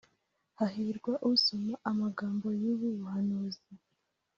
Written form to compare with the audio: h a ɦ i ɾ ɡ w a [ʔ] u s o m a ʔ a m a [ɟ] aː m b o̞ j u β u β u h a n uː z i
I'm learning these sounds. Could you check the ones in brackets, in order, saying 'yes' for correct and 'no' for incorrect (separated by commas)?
yes, no